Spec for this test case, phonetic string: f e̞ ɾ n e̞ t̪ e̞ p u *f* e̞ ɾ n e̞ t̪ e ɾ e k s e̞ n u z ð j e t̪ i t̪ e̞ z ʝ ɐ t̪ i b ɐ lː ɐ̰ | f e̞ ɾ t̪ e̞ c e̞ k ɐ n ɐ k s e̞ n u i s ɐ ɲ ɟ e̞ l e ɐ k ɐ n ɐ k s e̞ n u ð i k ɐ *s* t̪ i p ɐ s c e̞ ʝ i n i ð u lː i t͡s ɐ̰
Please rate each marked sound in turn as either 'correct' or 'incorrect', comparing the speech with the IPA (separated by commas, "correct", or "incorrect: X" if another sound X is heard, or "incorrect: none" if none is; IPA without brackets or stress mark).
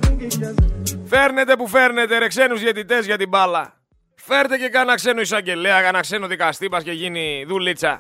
correct, correct